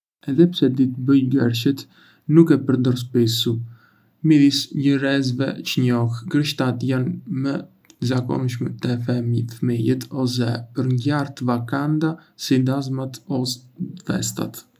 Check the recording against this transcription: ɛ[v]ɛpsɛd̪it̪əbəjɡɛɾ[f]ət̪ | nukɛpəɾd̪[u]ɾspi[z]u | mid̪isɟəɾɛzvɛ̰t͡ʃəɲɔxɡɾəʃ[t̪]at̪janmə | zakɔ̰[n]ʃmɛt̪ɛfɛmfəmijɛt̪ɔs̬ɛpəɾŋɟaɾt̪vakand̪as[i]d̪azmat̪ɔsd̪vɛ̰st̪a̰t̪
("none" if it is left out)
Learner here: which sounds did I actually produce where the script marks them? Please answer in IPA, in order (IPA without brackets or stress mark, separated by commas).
ð, ʃ, ɔ, s, t̪, n, i